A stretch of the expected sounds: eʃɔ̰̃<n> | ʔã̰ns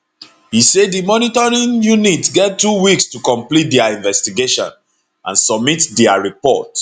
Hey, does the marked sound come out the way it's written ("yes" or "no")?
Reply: yes